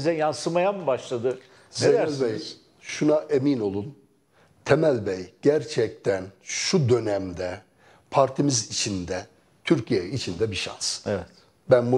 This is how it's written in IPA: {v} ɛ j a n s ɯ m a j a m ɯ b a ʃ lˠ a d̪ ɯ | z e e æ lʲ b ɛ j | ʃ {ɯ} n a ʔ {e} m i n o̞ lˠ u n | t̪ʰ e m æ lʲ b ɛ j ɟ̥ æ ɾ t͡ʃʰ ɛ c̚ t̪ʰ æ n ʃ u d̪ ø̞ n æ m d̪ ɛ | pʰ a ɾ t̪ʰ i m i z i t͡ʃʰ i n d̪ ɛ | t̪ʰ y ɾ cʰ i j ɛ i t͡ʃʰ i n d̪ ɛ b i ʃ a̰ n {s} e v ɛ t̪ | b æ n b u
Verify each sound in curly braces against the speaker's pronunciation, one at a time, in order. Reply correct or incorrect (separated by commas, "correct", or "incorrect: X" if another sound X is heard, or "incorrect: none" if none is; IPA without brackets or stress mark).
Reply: incorrect: z, incorrect: u, correct, correct